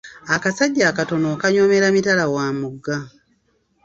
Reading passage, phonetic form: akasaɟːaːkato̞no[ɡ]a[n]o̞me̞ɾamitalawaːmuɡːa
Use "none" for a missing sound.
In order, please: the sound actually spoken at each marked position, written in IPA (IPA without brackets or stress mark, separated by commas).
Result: k, ɲ